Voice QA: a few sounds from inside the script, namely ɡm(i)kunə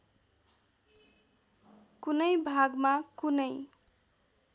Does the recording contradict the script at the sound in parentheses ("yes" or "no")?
yes